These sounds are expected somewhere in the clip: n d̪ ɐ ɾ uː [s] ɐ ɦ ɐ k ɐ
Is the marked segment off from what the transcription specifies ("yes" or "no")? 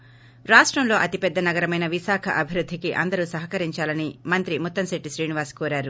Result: no